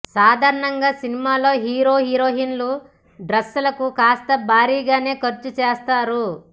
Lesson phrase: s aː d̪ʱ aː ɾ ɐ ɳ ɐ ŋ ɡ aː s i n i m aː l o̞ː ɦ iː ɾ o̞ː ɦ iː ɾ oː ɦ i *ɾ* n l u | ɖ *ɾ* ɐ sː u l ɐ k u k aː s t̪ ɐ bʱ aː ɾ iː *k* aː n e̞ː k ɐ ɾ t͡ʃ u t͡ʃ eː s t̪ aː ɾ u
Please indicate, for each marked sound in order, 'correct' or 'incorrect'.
incorrect: none, correct, incorrect: ɡ

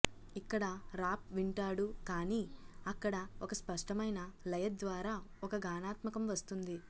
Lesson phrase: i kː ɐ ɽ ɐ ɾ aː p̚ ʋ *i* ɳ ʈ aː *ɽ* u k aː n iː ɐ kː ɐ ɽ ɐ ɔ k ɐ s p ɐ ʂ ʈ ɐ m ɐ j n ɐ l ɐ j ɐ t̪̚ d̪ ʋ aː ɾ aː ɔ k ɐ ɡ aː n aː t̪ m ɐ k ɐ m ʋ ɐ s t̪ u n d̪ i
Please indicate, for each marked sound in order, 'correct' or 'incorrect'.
correct, correct

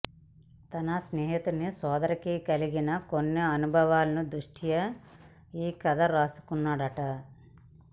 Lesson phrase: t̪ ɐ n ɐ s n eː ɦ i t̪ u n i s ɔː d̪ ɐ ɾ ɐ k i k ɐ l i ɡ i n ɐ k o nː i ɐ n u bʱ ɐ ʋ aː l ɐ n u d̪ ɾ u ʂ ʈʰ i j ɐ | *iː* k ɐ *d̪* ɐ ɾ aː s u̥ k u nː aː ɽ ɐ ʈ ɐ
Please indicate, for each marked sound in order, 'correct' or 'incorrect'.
correct, correct

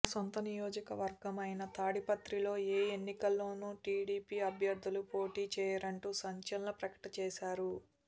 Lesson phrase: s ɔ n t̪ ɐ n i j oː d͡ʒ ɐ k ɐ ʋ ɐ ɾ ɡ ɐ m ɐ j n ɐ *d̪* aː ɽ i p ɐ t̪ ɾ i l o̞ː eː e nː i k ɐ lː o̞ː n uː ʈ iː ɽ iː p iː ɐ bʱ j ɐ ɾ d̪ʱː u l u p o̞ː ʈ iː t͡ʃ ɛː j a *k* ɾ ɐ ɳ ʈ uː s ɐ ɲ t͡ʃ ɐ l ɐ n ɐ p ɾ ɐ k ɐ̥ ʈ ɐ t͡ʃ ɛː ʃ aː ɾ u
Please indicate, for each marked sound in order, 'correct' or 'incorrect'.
incorrect: t̪, incorrect: none

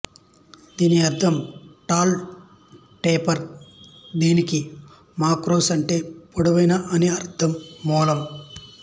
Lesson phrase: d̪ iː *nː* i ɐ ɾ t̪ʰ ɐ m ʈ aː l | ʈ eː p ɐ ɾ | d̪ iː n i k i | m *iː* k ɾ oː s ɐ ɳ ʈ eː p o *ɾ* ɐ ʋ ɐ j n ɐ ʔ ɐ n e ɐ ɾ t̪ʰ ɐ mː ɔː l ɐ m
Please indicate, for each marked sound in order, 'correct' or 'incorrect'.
incorrect: n, incorrect: aː, incorrect: ɽ

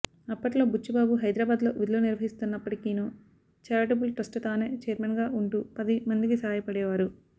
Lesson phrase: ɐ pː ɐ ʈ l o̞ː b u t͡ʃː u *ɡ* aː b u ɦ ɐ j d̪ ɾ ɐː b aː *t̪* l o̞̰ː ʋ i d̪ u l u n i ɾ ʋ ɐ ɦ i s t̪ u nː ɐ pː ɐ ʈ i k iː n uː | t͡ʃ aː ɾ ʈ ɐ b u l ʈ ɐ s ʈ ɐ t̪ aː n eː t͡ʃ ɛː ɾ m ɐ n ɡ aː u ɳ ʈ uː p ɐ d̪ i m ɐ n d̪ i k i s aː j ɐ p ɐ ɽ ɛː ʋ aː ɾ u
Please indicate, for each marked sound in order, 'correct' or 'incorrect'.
incorrect: b, incorrect: d̪

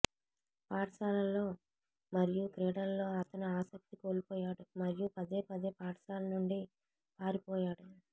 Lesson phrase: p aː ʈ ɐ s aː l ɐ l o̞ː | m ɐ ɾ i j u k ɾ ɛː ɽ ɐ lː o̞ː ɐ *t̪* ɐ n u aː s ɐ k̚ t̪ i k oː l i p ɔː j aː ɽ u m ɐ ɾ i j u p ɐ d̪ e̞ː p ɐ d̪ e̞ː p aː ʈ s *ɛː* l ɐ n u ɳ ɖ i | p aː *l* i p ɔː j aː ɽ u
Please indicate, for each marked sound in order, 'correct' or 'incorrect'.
correct, incorrect: aː, incorrect: ɾ

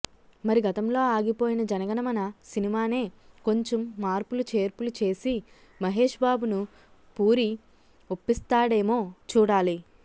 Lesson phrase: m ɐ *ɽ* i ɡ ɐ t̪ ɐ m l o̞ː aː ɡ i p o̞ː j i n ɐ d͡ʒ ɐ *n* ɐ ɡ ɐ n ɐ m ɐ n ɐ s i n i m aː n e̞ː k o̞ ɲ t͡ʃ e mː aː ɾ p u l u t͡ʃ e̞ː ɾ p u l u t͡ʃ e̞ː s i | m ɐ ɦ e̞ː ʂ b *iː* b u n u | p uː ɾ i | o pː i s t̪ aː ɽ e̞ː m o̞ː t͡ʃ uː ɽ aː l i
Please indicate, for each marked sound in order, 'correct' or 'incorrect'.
incorrect: ɾ, correct, incorrect: aː

